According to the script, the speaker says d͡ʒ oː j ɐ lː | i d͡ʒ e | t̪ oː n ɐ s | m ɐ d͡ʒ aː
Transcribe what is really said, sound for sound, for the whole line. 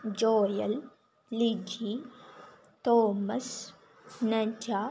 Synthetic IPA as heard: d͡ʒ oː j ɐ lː | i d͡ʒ i | t̪ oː m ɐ s | n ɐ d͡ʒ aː